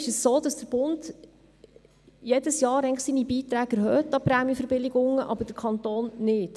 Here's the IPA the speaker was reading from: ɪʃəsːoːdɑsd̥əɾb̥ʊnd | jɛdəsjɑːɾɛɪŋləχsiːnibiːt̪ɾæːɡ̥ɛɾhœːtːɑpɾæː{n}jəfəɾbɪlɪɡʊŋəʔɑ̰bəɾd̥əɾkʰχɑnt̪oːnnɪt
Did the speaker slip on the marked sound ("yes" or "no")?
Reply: yes